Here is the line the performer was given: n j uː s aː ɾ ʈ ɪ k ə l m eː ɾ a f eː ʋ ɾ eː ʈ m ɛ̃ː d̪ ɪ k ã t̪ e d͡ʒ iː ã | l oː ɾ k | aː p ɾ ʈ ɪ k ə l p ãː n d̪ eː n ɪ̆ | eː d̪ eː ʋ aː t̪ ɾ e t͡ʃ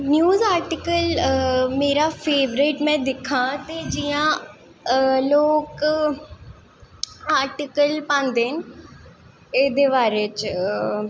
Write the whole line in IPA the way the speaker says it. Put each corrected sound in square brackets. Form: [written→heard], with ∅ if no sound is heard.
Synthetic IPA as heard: n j uː [s→z] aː ɾ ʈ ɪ k ə l m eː ɾ a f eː ʋ ɾ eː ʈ m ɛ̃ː d̪ ɪ [k→kʰ] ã t̪ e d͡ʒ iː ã | l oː [ɾ→∅] k | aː [p→∅] ɾ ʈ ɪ k ə l p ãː n d̪ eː n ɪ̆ | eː d̪ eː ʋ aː [t̪→∅] ɾ e t͡ʃ